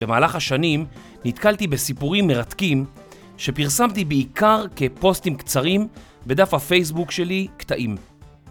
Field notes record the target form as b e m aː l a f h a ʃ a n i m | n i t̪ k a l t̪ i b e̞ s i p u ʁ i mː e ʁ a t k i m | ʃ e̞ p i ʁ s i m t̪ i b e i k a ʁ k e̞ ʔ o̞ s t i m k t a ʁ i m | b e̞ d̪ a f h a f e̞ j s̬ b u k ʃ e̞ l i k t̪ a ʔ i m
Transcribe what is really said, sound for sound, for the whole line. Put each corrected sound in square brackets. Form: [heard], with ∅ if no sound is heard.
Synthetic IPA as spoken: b e m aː l a [χ] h a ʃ a n i m | n i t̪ k a l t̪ i b e̞ s i p u ʁ i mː e ʁ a t k i m | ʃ e̞ p i ʁ s [a] m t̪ i b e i k a ʁ k e̞ [p] o̞ s t i m k [t͡s] a ʁ i m | b e̞ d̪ a f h a f e̞ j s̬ b u k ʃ e̞ l i k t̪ a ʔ i m